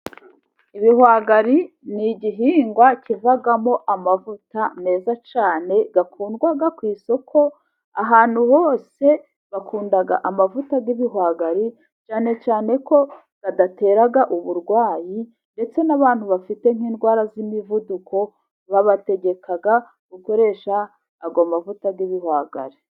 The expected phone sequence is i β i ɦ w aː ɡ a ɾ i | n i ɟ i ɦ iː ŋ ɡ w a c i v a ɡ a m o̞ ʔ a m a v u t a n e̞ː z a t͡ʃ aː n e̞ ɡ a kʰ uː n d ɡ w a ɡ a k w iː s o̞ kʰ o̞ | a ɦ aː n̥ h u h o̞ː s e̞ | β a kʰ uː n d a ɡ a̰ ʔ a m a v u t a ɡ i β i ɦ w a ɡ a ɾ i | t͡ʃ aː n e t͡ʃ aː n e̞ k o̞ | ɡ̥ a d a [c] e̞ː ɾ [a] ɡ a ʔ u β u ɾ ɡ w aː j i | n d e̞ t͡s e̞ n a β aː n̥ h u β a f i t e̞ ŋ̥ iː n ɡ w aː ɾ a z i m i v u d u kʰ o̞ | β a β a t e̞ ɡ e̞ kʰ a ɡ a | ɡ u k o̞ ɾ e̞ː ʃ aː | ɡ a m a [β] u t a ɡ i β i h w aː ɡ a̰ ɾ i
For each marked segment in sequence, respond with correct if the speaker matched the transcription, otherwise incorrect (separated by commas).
incorrect, correct, incorrect